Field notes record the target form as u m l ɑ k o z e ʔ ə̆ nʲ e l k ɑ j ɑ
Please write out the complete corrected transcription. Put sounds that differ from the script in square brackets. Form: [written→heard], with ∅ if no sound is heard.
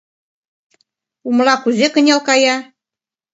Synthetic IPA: u m l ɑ k [o→u] z e [ʔ→k] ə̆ nʲ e l k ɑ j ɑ